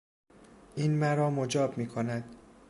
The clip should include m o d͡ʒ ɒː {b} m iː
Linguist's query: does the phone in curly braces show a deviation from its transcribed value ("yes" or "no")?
no